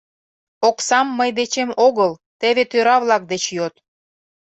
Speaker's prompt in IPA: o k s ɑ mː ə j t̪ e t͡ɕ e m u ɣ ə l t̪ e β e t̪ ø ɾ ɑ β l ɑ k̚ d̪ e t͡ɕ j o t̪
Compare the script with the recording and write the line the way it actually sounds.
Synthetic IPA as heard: o k s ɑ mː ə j d̪ e t͡ɕ e m o ɣ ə l t̪ e β e t̪ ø ɾ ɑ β l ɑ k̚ d̪ e t͡ɕ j o t̪